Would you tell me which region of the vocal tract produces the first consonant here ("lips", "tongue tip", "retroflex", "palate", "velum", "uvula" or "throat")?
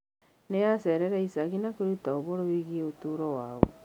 tongue tip